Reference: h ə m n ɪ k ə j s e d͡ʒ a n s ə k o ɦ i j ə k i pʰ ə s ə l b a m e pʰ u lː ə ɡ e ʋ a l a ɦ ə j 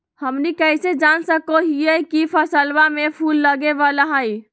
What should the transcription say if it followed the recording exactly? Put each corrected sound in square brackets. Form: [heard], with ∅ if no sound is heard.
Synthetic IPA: h ə m n [i] k ə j s e d͡ʒ a n s ə k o ɦ i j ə k i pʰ ə s ə l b a m e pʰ u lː ə ɡ e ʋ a l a ɦ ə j